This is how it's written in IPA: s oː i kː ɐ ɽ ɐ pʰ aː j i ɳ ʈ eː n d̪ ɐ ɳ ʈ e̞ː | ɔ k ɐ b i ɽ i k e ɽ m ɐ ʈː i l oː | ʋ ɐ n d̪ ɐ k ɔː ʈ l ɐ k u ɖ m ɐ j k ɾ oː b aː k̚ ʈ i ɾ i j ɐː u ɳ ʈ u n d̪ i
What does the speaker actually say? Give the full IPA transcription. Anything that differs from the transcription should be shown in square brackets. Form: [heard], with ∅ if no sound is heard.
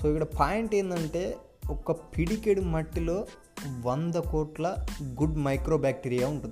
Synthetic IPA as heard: s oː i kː ɐ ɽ ɐ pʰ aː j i ɳ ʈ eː n d̪ ɐ ɳ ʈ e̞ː | ɔ k ɐ [p] i ɽ i k e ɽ m ɐ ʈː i l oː | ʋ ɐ n d̪ ɐ k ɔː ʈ l ɐ [ɡ] u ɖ m ɐ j k ɾ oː b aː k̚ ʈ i ɾ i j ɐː u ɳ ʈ u n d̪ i